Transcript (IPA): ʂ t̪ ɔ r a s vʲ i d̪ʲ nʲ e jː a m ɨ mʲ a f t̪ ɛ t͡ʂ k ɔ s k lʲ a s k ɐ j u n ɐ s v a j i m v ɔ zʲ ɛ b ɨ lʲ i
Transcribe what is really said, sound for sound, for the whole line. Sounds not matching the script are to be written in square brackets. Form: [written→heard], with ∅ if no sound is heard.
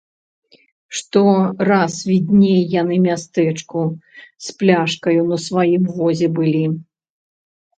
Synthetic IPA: ʂ t̪ ɔ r a s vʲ i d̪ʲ nʲ e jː a [m→n] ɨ mʲ a [f→s] t̪ ɛ t͡ʂ k [ɔ→u] s [k→p] lʲ a [s→ʂ] k ɐ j u n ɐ s v a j i m v ɔ zʲ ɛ b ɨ lʲ i